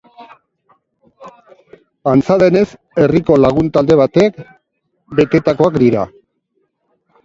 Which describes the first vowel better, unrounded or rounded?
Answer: unrounded